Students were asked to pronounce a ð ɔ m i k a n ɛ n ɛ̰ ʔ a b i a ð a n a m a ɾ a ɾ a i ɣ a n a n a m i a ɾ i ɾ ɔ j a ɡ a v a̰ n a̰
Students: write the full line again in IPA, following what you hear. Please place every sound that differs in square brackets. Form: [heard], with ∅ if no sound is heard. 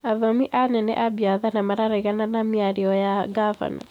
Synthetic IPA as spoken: a ð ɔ m i [ʔ] a n ɛ n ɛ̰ ʔ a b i a ð a n a m a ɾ a ɾ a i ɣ a n a n a m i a ɾ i [∅] ɔ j a ɡ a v a̰ n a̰